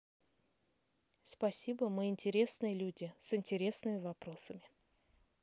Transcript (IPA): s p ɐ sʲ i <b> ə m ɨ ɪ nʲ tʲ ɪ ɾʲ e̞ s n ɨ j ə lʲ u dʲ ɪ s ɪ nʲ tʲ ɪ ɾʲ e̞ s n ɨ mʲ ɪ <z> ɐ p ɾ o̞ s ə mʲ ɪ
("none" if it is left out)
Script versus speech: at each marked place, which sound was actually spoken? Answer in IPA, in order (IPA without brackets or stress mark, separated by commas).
b, v